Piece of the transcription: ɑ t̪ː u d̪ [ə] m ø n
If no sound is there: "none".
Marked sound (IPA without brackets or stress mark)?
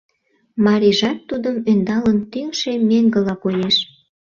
ə